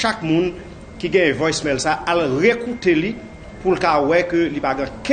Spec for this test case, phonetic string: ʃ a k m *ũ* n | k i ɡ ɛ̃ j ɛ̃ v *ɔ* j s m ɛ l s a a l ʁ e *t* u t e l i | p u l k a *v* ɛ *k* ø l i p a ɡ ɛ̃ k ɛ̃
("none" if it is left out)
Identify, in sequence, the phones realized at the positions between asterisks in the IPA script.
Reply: ũ, ɔ, k, w, k

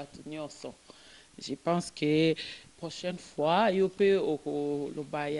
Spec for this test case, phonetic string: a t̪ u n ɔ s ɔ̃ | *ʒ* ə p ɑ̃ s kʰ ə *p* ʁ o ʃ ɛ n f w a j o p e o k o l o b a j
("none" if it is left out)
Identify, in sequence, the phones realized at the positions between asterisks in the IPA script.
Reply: ʒ, p

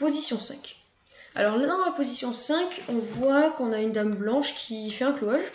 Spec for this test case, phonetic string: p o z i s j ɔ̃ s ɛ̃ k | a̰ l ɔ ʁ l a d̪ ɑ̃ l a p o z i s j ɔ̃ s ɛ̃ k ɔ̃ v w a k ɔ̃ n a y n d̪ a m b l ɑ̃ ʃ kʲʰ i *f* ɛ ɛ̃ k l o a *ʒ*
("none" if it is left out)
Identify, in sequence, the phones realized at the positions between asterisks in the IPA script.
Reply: f, ʒ

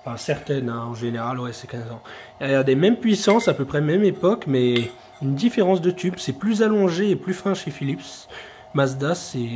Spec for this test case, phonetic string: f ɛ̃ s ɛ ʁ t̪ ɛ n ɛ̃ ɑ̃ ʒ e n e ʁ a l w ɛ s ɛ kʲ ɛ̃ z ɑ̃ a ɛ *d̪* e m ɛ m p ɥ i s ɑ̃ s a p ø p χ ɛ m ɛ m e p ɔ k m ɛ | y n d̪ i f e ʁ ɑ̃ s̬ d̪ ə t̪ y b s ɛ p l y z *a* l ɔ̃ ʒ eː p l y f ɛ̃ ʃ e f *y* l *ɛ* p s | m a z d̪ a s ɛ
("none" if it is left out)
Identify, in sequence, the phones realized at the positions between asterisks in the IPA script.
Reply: d̪, a, i, i

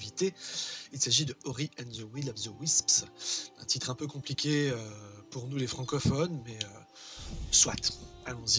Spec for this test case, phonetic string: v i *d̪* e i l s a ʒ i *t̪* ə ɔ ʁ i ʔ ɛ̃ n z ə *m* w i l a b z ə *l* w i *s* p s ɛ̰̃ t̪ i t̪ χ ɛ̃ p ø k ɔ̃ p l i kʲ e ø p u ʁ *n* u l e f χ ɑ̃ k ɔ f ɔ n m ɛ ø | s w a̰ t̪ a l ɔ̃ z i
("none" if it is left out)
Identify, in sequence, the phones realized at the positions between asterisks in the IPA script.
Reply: t̪, d̪, none, none, s, n

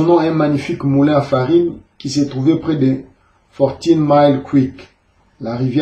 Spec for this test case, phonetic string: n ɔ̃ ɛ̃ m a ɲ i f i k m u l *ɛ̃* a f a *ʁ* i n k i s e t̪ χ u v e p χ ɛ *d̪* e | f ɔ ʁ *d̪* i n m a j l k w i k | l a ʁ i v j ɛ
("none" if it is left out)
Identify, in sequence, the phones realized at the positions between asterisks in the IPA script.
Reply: ɛ̃, ʁ, d̪, t̪

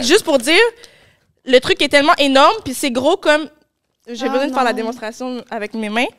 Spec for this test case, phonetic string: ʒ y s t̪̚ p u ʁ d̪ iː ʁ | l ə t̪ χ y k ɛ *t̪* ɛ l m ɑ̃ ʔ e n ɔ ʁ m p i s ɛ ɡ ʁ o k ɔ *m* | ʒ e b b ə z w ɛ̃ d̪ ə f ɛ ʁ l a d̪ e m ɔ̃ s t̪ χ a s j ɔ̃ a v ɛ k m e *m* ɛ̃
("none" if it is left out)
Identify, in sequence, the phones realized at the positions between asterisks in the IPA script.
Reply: t̪, m, m

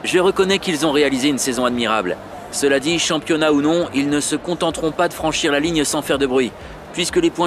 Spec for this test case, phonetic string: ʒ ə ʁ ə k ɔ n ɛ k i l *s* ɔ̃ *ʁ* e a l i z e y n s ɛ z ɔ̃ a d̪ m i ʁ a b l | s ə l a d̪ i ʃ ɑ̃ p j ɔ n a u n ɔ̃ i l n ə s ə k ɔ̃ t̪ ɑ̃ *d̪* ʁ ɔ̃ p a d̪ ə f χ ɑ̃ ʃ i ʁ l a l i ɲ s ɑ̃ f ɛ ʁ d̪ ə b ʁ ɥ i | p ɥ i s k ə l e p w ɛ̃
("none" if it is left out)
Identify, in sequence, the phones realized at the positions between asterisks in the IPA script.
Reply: z, ʁ, t̪

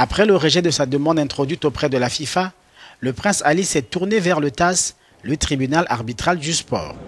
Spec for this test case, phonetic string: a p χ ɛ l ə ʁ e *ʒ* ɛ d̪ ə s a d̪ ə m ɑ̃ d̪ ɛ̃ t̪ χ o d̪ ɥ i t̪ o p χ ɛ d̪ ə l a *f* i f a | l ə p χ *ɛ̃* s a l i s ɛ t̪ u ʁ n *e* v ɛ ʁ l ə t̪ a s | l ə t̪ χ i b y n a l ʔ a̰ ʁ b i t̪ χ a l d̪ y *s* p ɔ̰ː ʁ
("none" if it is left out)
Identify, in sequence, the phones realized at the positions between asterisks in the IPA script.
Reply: ʒ, f, ɛ̃, e, s

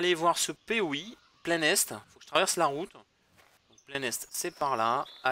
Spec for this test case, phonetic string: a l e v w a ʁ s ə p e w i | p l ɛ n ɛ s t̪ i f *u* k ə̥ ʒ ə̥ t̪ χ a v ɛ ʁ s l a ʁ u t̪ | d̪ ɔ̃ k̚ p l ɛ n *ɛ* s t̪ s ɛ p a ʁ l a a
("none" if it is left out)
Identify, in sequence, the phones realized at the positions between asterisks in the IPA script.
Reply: o, ɛ

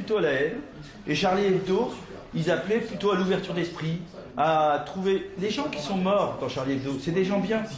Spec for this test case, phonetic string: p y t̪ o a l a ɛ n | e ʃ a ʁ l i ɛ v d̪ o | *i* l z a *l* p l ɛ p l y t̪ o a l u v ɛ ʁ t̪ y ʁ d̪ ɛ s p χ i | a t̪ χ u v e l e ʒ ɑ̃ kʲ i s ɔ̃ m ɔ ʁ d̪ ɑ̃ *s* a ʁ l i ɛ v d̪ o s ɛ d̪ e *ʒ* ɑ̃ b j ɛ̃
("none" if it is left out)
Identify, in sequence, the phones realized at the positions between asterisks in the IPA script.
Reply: i, none, ʃ, ʒ

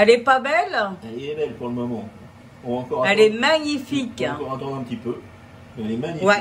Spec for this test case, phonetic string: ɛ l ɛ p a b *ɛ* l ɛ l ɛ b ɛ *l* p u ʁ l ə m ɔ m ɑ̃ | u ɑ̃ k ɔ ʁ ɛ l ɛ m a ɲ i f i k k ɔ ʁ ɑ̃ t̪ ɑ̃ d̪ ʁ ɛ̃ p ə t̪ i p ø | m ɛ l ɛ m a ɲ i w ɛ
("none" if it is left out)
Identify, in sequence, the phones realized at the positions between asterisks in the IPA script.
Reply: ɛ, l

